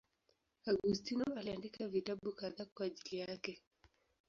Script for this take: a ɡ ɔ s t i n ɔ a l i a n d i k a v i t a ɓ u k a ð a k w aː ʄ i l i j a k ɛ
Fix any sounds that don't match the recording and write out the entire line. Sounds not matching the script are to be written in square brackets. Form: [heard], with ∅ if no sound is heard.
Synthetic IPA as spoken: a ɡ [u] s t i n ɔ a l i a n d i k a v i t a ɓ u k a ð a k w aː ʄ i l i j a k ɛ